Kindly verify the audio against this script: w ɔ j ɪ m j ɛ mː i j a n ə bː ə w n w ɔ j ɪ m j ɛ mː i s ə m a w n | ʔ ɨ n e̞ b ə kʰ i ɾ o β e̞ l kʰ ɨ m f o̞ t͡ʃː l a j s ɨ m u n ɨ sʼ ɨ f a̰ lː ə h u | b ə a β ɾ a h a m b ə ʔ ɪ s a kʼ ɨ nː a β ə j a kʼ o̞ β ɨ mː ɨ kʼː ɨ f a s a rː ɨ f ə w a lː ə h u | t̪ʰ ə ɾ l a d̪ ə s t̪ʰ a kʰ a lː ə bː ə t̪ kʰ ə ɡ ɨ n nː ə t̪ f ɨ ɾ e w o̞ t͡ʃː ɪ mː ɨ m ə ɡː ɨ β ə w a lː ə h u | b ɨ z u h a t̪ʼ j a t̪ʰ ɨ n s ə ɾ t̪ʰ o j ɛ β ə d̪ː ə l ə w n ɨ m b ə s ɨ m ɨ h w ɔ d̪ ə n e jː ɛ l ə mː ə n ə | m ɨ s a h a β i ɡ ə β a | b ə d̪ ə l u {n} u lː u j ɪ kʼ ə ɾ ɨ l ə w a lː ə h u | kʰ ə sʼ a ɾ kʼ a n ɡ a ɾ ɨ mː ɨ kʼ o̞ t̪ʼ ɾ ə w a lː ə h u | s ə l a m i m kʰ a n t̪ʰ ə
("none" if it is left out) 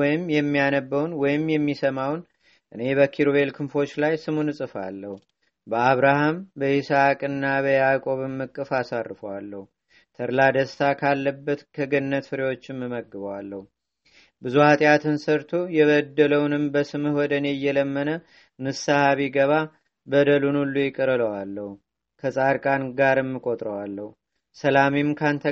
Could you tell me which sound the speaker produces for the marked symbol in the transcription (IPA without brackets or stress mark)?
n